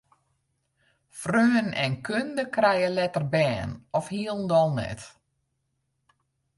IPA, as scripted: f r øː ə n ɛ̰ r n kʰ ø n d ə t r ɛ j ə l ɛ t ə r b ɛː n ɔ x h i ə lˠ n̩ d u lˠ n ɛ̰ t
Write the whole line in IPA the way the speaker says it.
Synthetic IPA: f r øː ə n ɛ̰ n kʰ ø n d ə k r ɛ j ə l ɛ t ə r b ɛː n ɔ f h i ə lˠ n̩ d ɔ lˠ n ɛ̰ t